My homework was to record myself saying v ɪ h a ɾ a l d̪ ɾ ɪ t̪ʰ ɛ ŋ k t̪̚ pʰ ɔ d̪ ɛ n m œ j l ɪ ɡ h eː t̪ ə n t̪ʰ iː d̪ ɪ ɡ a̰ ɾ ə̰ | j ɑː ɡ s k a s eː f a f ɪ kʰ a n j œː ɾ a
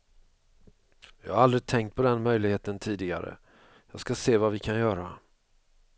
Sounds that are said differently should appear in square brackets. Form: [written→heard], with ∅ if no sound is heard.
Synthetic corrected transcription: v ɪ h a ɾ a l d̪ ɾ ɪ t̪ʰ ɛ ŋ k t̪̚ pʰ ɔ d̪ ɛ n m œ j l ɪ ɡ h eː t̪ ə n t̪ʰ iː d̪ ɪ ɡ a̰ ɾ ə̰ | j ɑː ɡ s k a s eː [f→v] a [f→v] ɪ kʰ a n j œː ɾ a